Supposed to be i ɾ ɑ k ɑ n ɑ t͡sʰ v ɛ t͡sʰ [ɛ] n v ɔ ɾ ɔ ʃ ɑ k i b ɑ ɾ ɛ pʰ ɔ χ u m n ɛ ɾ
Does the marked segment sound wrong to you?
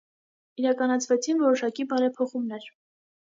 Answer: yes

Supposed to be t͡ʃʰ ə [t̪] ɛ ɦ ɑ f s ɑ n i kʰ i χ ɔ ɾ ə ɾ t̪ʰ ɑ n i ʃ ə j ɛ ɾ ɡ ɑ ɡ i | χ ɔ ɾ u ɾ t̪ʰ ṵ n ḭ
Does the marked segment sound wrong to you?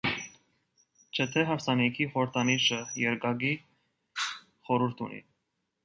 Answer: yes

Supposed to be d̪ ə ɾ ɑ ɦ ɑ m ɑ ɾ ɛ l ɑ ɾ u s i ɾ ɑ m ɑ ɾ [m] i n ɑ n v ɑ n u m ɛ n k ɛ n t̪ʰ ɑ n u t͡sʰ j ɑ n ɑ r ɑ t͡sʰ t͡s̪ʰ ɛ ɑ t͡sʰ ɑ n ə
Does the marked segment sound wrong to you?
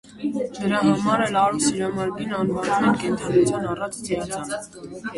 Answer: no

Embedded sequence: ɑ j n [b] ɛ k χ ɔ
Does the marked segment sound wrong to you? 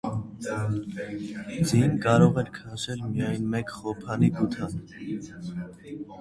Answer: yes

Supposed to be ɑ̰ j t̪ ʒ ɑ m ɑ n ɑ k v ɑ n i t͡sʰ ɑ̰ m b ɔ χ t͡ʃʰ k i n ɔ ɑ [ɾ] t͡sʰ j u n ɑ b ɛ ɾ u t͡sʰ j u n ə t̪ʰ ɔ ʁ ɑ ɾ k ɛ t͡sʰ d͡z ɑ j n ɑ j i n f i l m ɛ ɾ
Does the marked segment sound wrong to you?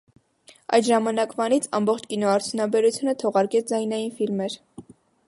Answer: no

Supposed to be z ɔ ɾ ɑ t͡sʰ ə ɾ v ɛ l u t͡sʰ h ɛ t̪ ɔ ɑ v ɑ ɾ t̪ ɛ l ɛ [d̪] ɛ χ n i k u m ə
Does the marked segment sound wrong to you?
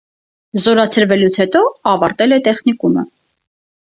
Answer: yes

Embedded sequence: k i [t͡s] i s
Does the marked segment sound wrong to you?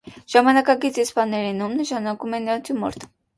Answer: no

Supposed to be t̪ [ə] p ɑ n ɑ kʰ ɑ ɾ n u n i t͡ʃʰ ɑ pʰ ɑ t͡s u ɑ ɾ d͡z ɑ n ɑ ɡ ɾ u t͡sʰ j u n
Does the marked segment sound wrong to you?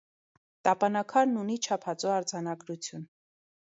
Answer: yes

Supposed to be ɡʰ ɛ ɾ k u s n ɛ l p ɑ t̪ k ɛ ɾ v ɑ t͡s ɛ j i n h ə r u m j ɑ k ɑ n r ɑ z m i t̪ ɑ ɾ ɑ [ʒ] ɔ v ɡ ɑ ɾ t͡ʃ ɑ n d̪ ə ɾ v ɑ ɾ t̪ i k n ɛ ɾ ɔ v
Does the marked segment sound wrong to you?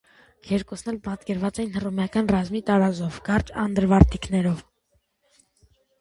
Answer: yes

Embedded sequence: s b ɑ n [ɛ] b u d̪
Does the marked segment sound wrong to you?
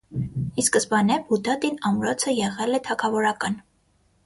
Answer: no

